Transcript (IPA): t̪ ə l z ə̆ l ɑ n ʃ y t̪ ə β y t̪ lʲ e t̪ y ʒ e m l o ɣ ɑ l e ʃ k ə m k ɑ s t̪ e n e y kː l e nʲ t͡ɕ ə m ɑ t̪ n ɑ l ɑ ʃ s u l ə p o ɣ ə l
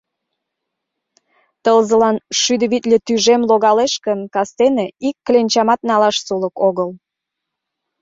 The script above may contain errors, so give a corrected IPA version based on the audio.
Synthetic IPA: t̪ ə l z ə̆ l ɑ n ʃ y d̪ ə β i t̪ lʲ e t̪ y ʒ e m l o ɣ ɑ l e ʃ k ə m k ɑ s t̪ e n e i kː l e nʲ t͡ɕ ɑ m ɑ t̪ n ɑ l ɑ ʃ s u l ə k o ɣ ə l